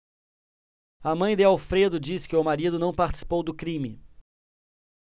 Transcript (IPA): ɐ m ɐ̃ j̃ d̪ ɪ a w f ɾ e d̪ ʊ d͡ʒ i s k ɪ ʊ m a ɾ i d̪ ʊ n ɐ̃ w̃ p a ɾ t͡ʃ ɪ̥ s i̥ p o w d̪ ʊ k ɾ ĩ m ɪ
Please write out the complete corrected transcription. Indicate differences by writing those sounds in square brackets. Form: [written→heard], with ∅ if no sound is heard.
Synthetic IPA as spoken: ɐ m ɐ̃ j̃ d̪ ɪ a w f ɾ e d̪ ʊ d͡ʒ i s k ɪ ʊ m a ɾ i d̪ ʊ n ɐ̃ w̃ p a ɾ t͡ʃ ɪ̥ s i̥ p o w d̪ ʊ k ɾ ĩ m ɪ